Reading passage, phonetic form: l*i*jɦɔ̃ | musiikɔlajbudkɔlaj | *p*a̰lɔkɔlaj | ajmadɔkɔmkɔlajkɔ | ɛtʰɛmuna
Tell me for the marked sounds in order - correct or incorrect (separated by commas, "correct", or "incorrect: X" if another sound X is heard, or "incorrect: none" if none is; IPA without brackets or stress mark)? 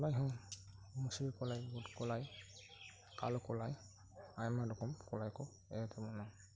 incorrect: a, incorrect: k